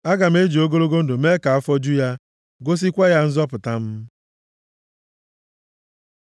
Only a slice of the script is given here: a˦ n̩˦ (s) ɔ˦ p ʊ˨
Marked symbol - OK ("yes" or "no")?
no